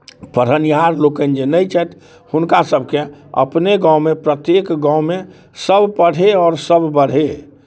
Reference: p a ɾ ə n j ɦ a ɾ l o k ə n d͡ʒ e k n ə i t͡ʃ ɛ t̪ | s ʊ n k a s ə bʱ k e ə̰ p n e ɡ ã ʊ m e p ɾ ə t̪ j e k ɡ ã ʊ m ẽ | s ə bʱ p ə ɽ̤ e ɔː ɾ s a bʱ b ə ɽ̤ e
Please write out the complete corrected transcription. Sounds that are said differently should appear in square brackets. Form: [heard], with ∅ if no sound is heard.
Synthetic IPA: p [ə] ɾ ə n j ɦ a ɾ l o k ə n d͡ʒ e [∅] n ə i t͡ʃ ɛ t̪ | [h] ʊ n k a s ə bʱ k e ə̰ p n e ɡ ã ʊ m e p ɾ ə t̪ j e k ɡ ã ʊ m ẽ | s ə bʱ p ə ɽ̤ e ɔː ɾ s [ə] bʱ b ə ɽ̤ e